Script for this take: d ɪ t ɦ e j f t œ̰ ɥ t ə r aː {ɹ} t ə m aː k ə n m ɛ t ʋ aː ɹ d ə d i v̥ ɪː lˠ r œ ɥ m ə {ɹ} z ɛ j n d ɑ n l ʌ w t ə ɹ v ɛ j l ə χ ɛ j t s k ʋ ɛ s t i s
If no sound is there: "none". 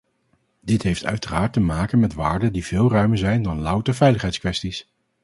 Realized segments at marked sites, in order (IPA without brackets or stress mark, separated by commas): ɹ, ɹ